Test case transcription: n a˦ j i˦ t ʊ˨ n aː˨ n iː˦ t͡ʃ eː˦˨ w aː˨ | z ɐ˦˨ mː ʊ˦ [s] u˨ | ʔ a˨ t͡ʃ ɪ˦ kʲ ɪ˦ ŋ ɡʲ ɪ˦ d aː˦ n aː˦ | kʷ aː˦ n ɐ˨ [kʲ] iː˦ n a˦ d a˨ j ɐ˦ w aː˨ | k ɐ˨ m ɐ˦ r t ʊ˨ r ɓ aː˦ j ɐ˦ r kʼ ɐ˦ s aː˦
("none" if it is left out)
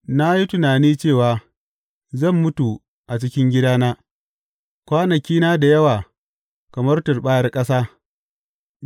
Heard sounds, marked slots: t, kʲ

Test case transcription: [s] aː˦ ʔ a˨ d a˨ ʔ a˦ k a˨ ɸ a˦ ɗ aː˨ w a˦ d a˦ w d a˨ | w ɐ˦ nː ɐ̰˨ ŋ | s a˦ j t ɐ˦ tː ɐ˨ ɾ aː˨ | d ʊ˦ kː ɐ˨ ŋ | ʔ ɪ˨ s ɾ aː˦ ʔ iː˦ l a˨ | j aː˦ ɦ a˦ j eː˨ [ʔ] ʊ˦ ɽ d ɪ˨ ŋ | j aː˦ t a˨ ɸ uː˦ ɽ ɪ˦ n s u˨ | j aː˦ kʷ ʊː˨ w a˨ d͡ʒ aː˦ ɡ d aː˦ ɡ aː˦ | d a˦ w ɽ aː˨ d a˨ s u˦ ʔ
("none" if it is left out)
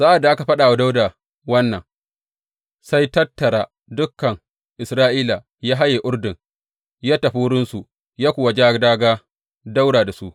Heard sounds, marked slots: z, ʔ

